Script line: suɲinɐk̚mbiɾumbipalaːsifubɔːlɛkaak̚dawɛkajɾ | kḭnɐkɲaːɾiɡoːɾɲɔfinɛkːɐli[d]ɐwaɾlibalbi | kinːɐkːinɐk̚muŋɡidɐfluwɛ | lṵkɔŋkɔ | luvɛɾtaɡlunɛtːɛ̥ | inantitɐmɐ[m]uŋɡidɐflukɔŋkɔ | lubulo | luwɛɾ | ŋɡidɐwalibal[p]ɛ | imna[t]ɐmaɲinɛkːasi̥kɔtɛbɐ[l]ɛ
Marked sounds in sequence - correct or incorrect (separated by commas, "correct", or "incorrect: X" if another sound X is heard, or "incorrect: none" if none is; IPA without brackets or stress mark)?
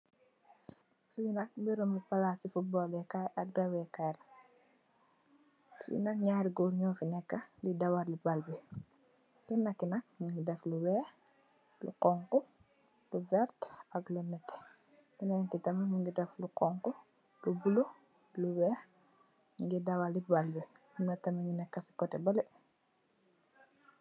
correct, correct, incorrect: b, correct, correct